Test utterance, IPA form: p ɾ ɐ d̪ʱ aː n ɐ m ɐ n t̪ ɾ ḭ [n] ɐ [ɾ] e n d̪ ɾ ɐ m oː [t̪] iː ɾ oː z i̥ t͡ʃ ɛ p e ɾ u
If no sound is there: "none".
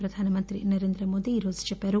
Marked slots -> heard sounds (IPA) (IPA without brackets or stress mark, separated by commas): n, ɾ, d̪